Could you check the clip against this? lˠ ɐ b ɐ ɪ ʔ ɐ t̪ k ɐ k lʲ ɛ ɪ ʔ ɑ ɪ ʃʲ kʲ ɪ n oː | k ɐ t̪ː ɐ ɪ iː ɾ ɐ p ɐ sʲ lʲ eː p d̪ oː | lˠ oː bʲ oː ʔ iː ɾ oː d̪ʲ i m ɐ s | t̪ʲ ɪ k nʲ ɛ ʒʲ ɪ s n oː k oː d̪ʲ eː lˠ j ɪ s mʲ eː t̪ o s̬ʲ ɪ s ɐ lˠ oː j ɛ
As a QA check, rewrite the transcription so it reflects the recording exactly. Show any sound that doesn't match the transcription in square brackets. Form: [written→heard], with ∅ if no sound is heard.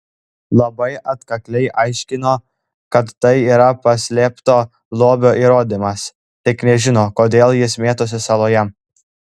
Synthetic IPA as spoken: lˠ ɐ b ɐ ɪ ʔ ɐ t̪ k ɐ k lʲ ɛ ɪ ʔ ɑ ɪ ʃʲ kʲ ɪ n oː | k ɐ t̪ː ɐ ɪ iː ɾ ɐ p ɐ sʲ lʲ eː p [d̪→t̪] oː | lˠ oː bʲ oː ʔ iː ɾ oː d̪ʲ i m ɐ s | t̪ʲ ɪ k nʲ ɛ ʒʲ ɪ [s→∅] n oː k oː d̪ʲ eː lˠ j ɪ s mʲ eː t̪ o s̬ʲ ɪ s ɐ lˠ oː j ɛ